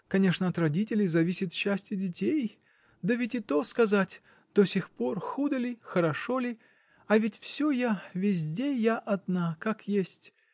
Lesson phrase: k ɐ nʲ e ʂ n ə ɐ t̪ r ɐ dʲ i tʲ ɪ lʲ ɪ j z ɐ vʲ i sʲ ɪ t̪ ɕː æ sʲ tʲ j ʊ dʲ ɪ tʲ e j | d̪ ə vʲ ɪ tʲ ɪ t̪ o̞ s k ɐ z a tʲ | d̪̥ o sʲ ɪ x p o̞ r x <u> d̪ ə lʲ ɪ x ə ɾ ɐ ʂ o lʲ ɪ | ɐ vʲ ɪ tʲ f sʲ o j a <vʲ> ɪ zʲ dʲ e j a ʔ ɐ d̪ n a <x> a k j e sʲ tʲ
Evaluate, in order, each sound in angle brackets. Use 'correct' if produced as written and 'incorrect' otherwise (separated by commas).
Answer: correct, correct, incorrect